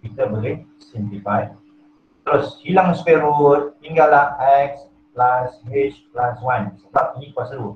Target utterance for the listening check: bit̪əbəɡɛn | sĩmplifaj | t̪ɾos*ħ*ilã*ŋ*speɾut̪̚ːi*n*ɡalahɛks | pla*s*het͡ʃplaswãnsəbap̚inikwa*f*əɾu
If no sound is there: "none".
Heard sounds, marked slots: h, ŋ, ŋ, s, s

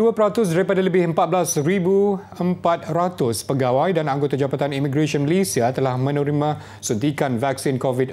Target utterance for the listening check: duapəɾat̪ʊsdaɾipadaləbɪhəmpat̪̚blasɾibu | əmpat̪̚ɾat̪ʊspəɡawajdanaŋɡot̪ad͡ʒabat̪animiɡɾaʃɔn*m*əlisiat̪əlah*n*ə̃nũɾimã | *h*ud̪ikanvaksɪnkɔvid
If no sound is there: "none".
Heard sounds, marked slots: m, m, s

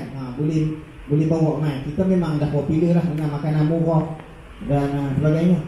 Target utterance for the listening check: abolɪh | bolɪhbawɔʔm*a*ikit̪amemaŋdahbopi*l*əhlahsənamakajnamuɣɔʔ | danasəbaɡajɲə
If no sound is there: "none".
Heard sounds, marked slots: a, l

